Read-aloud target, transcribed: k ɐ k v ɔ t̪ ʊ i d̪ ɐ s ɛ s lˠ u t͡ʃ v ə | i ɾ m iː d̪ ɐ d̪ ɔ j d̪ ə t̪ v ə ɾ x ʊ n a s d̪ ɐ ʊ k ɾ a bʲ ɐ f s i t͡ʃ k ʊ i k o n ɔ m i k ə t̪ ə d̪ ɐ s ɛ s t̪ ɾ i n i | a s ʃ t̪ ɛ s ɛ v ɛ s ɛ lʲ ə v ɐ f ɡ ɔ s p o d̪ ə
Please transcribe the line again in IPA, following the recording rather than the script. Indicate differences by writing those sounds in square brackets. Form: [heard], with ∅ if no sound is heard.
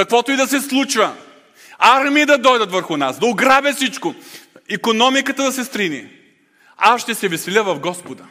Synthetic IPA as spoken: k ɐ k v ɔ t̪ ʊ i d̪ ɐ s ɛ s lˠ u t͡ʃ v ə | [a] ɾ m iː d̪ ɐ d̪ ɔ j d̪ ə t̪ v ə ɾ x ʊ n a s d̪ ɐ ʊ [ɡ] ɾ a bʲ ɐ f s i t͡ʃ k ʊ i k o n ɔ m i k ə t̪ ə d̪ ɐ s ɛ s t̪ ɾ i n i | a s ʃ t̪ ɛ s ɛ v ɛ s ɛ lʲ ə v ɐ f ɡ ɔ s p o d̪ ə